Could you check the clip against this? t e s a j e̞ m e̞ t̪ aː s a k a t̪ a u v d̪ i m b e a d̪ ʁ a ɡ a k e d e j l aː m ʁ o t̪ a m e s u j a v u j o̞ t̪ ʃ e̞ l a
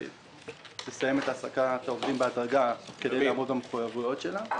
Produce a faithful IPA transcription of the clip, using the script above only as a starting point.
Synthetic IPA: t e s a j e̞ m e̞ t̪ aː s a k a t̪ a o v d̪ i m b e a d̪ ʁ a ɡ a k e d e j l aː m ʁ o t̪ a m e χ u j a v u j o̞ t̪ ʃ e̞ l a